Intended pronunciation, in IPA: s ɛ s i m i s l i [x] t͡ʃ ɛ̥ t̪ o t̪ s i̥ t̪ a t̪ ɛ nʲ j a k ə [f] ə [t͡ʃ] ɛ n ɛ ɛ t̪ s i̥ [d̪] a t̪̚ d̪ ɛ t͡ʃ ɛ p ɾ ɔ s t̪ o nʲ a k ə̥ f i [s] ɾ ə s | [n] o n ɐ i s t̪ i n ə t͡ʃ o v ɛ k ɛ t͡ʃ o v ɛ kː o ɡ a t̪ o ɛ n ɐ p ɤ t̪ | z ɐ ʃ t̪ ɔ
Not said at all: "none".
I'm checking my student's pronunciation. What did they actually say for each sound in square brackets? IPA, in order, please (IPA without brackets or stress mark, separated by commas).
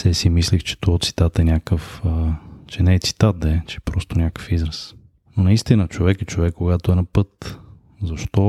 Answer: x, f, t͡ʃ, t̪, z, n